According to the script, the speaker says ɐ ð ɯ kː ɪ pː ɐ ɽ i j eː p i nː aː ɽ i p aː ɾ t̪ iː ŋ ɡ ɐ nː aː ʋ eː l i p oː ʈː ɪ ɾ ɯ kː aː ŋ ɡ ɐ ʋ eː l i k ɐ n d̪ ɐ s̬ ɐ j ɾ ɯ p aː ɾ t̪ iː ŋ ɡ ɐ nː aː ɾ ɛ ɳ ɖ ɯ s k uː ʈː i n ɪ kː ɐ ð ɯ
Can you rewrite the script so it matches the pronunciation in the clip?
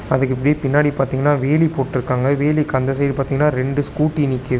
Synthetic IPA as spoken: ɐ ð ɯ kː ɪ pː ɐ ɽ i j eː p ɪ nː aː ɽ i p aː ɾ t̪ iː ŋ ɡ ɐ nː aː ʋ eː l i p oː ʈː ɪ ɾ ɯ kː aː ŋ ɡ ɐ ʋ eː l i k ɐ n d̪ ɐ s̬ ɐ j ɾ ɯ p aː ɾ t̪ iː ŋ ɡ ɐ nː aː ɾ ɛ ɳ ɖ ɯ s k uː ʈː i n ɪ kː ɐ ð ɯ